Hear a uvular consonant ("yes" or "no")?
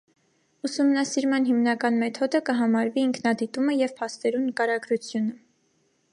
no